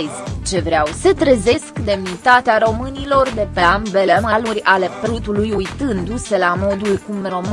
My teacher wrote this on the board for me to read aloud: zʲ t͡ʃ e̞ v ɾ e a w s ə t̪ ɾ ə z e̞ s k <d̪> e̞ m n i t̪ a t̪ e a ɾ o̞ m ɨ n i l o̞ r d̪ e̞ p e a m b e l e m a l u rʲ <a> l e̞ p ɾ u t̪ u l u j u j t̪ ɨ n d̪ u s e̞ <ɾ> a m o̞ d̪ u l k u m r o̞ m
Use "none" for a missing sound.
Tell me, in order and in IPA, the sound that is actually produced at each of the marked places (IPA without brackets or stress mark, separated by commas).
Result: d̪, a, l